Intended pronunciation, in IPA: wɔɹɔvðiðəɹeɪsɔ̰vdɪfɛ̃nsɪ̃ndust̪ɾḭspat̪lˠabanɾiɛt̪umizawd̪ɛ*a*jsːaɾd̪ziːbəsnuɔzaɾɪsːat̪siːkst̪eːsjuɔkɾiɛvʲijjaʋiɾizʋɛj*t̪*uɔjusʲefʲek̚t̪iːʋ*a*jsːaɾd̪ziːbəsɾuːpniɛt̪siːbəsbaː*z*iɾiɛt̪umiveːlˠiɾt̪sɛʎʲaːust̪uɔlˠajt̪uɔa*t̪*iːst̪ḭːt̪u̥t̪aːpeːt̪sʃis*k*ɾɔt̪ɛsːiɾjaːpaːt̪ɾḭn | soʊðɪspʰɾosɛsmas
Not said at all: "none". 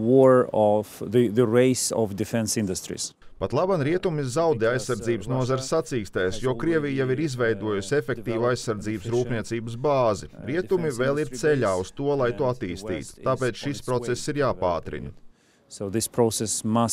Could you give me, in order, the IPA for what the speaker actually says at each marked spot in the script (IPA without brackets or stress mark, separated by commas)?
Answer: a, d̪, a, z, t̪, p